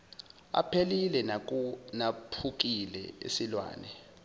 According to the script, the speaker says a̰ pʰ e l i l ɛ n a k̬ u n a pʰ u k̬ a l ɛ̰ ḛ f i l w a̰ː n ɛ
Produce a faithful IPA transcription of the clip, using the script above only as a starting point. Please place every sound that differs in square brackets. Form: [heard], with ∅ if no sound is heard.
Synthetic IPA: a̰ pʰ e l i l ɛ n a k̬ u n a pʰ u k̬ [i] l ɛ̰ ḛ [s] i l w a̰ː n ɛ